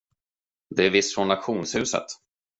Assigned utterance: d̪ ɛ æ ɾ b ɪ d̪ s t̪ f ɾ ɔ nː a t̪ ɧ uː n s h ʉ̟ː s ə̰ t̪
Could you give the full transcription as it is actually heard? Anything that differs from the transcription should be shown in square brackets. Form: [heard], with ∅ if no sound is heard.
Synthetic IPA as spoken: d̪ ɛ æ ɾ [v] ɪ [∅] s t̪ f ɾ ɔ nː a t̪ ɧ uː n s h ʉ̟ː s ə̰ t̪